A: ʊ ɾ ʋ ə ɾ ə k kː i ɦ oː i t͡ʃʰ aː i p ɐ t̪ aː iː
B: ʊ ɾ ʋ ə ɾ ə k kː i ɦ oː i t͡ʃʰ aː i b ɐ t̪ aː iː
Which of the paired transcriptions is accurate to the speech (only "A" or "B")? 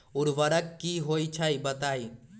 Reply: B